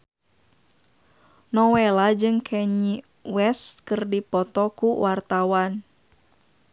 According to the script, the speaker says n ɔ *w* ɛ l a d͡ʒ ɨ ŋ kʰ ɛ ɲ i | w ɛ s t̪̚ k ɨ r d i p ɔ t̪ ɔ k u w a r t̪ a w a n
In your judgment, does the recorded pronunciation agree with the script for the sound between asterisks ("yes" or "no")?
yes